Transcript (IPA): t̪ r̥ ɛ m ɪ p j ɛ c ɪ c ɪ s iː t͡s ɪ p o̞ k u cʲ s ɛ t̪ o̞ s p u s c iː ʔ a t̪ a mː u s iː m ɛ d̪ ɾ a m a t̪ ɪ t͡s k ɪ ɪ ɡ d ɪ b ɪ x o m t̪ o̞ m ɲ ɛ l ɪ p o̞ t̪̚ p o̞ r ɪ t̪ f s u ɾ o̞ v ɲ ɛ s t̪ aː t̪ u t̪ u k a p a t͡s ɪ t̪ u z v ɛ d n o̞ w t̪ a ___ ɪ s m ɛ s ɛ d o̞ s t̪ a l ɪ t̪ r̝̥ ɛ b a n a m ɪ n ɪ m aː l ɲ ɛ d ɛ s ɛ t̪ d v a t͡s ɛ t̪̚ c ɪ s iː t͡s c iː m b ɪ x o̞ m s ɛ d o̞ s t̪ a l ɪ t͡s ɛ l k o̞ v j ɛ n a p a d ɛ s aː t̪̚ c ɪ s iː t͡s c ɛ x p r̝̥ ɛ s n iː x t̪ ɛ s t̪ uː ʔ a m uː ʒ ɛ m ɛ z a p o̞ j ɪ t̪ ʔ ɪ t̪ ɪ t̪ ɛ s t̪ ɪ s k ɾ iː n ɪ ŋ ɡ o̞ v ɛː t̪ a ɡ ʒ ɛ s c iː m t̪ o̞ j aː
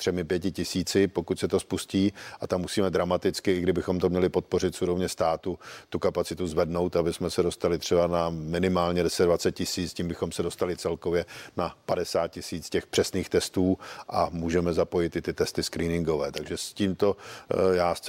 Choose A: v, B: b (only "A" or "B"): B